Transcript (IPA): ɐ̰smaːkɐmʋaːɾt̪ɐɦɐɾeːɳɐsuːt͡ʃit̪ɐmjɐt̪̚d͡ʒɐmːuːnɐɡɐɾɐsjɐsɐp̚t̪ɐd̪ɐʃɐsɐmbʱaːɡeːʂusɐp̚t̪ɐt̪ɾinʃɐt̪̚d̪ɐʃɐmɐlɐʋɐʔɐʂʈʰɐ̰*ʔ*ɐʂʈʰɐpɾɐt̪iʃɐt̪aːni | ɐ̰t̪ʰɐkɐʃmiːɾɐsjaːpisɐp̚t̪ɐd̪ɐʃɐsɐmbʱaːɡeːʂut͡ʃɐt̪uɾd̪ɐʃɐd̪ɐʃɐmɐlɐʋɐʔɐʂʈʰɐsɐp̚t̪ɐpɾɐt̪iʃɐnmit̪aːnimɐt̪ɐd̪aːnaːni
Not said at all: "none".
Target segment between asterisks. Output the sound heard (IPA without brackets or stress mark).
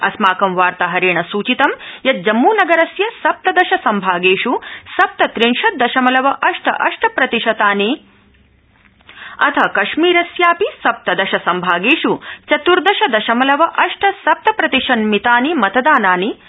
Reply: ʔ